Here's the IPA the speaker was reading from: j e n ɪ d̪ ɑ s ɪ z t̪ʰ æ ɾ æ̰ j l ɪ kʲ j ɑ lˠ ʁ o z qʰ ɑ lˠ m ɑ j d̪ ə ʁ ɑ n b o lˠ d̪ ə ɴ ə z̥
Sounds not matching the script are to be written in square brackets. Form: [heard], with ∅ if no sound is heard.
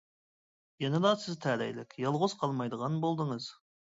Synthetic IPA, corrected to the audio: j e n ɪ d̪ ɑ s ɪ z t̪ʰ æ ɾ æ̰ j l ɪ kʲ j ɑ lˠ ʁ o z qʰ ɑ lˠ m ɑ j d̪ ə ʁ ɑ n b o lˠ d̪ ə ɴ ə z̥

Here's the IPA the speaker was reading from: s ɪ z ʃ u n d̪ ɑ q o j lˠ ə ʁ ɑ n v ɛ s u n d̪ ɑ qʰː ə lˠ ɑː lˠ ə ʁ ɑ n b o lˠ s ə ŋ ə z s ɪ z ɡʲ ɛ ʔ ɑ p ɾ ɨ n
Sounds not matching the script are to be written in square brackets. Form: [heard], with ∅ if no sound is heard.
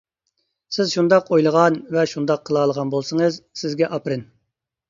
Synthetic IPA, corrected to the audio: s ɪ z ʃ u n d̪ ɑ q o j lˠ ə ʁ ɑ n v ɛ [ʃ] u n d̪ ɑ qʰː ə lˠ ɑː lˠ ə ʁ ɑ n b o lˠ s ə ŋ ə z s ɪ z ɡʲ ɛ ʔ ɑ p ɾ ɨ n

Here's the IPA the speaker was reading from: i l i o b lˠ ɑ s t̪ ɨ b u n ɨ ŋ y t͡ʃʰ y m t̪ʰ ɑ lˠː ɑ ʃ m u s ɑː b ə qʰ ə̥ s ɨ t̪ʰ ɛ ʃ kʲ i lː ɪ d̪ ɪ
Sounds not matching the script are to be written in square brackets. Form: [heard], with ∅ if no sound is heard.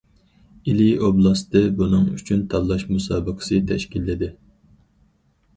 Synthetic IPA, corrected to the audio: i l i o b lˠ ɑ s t̪ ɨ b u n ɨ ŋ y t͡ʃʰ y [n] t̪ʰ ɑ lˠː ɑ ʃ m u s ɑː b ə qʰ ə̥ s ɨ t̪ʰ ɛ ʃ kʲ i lː ɪ d̪ ɪ

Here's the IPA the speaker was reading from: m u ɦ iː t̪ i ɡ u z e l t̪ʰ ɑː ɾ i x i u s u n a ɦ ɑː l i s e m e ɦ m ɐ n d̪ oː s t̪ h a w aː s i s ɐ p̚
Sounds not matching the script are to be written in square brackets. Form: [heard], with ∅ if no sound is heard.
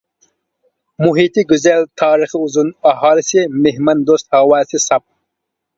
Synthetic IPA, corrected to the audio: m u ɦ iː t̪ i ɡ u z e l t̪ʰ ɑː ɾ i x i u [z] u n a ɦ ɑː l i s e m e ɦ m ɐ n d̪ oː s t̪ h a w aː s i s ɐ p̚

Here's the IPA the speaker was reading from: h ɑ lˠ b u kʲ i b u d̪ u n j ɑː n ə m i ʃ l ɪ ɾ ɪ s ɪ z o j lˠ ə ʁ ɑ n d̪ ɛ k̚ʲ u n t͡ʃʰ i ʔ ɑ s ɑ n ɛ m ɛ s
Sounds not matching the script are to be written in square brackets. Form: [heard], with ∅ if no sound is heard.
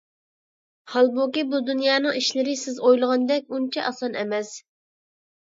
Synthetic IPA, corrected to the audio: h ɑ lˠ b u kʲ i b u d̪ u n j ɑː n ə [ŋ] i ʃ l ɪ ɾ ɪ s ɪ z o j lˠ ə ʁ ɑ n d̪ ɛ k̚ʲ u n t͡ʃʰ [ɛ] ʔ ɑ s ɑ n ɛ m ɛ s

